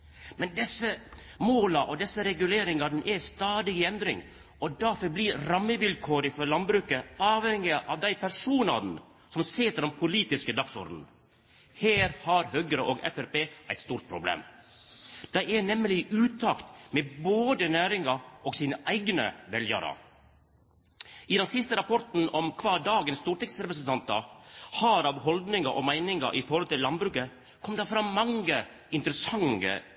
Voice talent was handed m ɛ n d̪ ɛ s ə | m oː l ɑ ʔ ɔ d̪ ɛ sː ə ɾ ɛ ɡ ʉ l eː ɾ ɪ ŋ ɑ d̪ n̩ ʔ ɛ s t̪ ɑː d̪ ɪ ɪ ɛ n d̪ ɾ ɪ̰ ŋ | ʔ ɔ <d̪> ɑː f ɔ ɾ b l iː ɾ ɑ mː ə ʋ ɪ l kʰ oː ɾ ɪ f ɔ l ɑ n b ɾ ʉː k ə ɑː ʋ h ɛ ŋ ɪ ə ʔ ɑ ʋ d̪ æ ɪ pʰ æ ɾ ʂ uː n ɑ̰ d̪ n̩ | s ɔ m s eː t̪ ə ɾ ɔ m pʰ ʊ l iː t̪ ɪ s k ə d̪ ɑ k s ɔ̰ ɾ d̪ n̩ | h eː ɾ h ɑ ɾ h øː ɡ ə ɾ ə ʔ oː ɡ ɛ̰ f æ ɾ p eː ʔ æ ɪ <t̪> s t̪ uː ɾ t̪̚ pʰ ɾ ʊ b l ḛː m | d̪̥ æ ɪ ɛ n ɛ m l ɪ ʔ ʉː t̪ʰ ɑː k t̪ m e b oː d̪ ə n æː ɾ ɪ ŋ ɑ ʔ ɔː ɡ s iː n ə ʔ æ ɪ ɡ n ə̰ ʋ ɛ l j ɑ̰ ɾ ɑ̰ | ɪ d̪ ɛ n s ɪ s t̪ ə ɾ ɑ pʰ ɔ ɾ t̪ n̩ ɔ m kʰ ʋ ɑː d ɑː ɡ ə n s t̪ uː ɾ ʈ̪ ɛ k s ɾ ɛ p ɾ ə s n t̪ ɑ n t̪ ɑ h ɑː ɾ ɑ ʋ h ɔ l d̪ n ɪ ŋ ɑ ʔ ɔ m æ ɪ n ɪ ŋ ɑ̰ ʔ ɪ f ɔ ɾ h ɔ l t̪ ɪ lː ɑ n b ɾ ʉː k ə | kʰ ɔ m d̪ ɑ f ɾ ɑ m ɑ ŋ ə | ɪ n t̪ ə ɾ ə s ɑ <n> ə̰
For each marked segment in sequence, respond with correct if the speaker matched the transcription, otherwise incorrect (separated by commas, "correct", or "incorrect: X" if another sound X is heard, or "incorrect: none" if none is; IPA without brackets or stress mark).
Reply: correct, correct, incorrect: ŋ